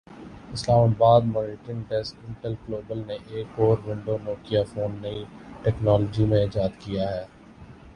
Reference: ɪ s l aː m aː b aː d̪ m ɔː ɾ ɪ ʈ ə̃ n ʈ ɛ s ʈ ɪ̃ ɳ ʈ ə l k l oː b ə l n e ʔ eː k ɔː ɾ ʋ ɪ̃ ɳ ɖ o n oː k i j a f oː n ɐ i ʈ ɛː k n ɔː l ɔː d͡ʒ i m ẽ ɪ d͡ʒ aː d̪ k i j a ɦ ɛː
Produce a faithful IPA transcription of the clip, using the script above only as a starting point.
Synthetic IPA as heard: ɪ s l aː m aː b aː d̪ m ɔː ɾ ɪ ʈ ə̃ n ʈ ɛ s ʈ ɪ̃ ɳ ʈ ə l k l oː b ə l n e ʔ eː k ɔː ɾ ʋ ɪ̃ ɳ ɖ o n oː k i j a f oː nː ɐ i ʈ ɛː k n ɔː l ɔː d͡ʒ i m ẽ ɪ d͡ʒ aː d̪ k i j a ɦ ɛː